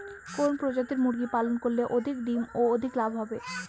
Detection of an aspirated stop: absent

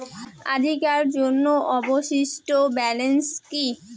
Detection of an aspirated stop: absent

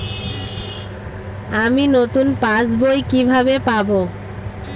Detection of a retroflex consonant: absent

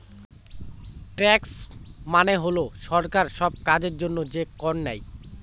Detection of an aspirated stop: absent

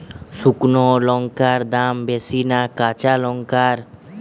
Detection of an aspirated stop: absent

